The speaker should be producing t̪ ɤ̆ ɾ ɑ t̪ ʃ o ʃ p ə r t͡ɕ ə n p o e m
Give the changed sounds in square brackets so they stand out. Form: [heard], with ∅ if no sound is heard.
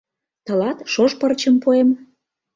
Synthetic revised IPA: t̪ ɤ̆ [l] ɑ t̪ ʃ o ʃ p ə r t͡ɕ ə [m] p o e m